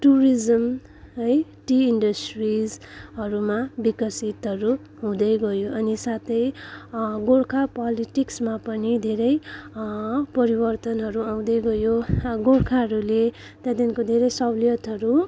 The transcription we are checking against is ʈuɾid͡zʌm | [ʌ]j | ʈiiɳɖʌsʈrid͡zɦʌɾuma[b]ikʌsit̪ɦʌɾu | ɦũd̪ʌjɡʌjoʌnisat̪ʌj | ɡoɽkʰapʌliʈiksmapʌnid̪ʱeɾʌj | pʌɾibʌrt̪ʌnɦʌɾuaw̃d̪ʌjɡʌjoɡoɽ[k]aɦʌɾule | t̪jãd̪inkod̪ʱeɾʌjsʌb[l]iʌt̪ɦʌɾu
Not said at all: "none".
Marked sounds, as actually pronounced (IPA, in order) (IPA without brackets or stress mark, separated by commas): ʌ, b, kʰ, l